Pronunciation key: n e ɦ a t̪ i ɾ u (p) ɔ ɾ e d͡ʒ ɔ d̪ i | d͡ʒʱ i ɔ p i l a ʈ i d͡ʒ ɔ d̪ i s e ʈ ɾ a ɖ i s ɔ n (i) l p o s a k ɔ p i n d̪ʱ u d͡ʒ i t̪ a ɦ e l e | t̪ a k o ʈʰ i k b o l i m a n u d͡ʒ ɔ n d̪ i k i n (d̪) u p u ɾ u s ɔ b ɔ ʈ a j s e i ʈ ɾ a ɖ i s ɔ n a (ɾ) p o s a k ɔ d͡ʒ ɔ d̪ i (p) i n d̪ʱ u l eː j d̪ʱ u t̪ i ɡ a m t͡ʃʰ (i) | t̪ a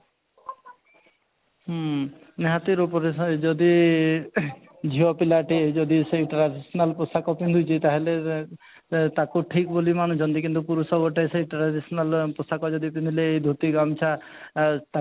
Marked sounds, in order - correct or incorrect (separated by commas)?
correct, incorrect, incorrect, incorrect, correct, incorrect